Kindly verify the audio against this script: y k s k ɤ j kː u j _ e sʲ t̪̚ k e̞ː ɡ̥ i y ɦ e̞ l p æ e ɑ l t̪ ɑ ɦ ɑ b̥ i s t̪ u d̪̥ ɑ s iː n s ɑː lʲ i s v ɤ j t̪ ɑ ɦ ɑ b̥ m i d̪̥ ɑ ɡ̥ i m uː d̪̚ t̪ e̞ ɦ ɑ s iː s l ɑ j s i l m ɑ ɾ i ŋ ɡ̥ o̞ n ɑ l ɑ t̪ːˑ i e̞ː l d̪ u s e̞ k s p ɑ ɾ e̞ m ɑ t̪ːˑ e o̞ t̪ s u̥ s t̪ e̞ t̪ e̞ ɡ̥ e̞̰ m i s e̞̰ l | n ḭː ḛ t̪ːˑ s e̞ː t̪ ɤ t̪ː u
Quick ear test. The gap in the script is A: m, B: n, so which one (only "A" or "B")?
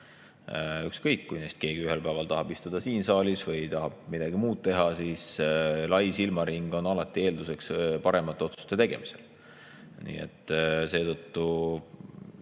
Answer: B